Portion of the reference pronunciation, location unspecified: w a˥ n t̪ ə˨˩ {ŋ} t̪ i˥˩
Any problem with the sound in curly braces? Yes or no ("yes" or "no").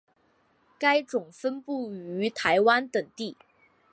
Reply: no